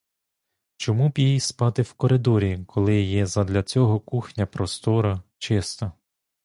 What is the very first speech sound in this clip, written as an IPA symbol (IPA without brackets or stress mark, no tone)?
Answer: t͡ʃ